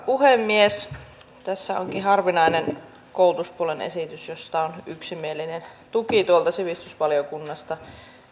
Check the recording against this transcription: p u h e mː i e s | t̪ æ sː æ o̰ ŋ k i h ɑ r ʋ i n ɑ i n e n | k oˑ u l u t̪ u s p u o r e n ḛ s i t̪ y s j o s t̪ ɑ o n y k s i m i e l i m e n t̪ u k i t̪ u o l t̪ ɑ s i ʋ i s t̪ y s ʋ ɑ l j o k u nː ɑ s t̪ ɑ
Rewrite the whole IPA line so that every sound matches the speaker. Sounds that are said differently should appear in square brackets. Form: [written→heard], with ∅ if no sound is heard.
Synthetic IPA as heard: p u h e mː i e s | t̪ æ sː æ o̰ ŋ k i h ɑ r ʋ i n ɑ i n e n | k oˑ u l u t̪ u s p u o [r→l] e n ḛ s i t̪ y s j o s t̪ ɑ o n y k s i m i e l i [m→n] e n t̪ u k i t̪ u o l t̪ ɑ s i ʋ i s t̪ y s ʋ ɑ l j o k u nː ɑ s t̪ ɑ